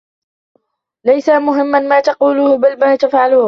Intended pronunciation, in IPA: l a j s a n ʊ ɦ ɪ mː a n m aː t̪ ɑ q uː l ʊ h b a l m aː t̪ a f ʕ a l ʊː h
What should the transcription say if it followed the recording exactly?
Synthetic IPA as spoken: l a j s a m ʊ ɦ ɪ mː a n m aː t̪ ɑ q uː l ʊ h b a l m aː t̪ a f ʕ a l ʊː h